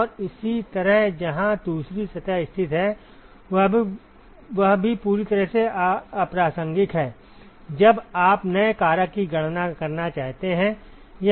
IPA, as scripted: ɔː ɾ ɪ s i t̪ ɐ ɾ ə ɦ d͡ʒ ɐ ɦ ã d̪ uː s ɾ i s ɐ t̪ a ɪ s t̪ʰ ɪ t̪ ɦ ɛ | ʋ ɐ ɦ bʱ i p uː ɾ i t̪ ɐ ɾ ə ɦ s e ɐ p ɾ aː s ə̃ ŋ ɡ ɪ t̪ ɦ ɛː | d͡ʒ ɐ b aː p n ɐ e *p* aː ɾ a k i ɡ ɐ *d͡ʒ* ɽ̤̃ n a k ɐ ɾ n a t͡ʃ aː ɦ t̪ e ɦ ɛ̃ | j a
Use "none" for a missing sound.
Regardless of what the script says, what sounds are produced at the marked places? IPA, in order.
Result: k, none

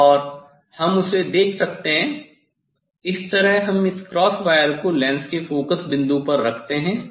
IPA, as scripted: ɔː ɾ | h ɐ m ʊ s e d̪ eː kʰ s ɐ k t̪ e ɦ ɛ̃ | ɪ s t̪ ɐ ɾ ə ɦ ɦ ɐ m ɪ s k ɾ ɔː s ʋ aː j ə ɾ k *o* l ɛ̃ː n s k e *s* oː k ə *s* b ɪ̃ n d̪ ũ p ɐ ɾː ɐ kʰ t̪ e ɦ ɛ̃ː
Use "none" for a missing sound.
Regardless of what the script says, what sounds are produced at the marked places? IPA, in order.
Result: o, f, s

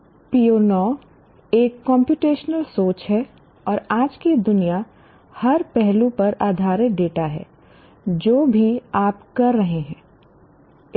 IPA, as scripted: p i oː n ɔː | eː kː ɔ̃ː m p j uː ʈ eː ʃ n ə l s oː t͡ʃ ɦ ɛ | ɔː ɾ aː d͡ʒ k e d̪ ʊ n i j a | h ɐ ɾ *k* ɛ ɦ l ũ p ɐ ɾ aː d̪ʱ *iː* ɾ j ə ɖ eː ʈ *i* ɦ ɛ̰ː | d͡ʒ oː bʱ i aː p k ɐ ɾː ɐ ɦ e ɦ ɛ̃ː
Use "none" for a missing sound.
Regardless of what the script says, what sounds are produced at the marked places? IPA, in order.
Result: p, aː, a

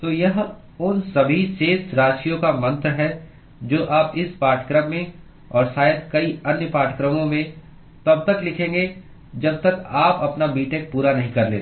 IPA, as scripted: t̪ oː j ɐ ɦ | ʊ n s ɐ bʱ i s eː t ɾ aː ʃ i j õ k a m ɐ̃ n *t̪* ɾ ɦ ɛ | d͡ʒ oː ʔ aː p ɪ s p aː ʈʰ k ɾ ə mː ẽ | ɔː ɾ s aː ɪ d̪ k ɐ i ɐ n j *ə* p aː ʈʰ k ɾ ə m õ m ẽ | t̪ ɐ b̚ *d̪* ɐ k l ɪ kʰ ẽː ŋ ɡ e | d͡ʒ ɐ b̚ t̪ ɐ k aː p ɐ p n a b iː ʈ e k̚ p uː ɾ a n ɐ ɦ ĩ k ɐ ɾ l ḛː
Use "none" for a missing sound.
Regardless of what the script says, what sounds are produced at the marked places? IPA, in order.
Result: t̪, ə, t̪

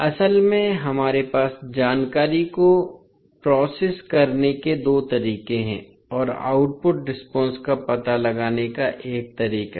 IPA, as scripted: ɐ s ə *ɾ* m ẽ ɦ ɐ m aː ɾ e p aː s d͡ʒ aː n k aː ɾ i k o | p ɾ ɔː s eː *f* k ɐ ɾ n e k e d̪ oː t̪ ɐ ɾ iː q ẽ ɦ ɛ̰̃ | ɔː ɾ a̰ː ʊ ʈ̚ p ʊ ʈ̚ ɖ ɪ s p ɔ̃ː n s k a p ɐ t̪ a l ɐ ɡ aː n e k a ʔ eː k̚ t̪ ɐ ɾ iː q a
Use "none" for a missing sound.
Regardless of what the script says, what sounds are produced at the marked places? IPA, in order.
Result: l, s

